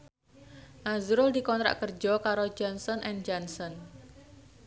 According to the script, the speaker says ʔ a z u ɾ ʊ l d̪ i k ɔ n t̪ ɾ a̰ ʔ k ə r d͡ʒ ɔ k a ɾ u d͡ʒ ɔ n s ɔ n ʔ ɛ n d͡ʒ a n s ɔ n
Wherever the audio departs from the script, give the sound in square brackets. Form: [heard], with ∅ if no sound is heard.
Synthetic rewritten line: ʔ a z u ɾ ʊ l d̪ i k ɔ n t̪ ɾ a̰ ʔ k ə r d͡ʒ ɔ k a ɾ [o] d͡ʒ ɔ n s ɔ n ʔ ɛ n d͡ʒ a n s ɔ n